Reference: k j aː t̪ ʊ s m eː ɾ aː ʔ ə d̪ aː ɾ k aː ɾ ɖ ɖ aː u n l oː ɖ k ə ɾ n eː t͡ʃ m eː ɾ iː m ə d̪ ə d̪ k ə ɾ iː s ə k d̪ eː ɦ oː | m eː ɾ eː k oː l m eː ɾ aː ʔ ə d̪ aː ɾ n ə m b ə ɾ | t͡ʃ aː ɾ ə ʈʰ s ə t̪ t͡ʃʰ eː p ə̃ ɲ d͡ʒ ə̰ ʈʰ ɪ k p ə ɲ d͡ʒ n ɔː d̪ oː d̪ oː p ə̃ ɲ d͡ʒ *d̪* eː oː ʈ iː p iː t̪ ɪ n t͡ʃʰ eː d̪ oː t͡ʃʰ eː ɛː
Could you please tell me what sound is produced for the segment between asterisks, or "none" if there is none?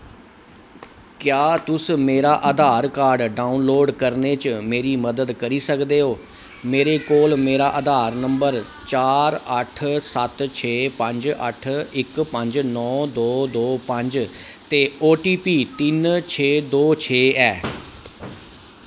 t̪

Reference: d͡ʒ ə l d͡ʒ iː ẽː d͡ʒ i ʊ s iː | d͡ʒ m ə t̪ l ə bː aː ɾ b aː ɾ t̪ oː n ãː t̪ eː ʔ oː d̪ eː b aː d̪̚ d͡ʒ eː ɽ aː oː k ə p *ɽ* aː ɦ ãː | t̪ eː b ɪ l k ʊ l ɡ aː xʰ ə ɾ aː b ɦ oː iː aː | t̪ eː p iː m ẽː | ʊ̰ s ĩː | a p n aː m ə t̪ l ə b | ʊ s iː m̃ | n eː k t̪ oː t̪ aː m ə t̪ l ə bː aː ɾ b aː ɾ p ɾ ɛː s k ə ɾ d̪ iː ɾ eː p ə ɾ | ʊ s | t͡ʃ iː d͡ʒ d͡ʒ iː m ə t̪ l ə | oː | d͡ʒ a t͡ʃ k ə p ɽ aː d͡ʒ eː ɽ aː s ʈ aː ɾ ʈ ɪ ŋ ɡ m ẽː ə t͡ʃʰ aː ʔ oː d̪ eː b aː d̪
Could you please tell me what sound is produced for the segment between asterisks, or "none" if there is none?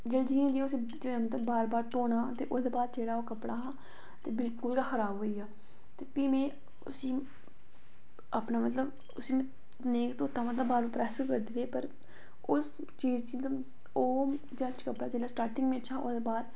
ɽ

